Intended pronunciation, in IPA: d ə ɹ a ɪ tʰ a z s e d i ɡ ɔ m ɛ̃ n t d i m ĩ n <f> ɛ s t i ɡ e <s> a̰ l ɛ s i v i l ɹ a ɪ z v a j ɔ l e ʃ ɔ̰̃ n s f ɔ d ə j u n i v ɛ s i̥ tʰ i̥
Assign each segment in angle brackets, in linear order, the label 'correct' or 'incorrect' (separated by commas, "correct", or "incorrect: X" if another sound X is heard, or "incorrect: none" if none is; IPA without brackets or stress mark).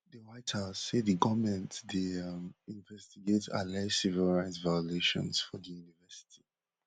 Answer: incorrect: v, incorrect: t